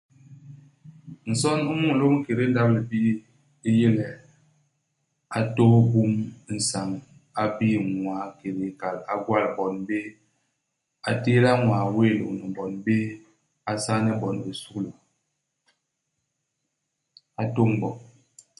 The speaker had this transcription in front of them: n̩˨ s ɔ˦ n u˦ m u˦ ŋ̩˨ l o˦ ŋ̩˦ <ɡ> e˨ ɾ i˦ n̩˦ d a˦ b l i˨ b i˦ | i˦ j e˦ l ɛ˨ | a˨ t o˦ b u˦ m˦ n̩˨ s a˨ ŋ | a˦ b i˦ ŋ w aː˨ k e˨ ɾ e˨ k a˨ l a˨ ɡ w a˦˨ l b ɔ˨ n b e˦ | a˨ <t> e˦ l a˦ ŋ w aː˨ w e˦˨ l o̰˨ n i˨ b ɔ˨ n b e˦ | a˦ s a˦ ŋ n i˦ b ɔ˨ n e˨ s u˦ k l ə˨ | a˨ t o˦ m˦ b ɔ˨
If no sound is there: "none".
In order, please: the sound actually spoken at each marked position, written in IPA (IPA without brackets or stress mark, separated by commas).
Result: k, t